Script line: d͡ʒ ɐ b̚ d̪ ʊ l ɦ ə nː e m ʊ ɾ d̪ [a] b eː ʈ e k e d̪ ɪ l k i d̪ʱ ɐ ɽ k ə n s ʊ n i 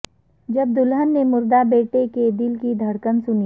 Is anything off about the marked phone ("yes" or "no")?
no